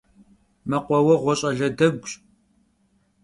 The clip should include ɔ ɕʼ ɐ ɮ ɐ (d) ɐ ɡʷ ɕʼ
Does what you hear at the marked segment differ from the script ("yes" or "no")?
no